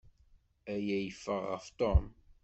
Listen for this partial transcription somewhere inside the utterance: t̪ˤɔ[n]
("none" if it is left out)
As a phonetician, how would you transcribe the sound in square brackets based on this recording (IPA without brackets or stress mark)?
m